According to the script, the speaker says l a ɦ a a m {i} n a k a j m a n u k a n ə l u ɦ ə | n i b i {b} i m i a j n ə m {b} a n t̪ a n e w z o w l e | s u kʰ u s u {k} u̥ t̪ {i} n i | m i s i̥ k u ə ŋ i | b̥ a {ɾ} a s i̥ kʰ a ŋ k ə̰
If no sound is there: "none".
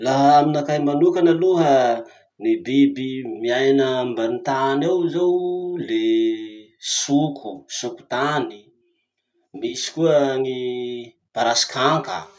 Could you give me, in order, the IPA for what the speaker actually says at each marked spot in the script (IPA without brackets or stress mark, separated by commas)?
i, b, b, k, a, ɾ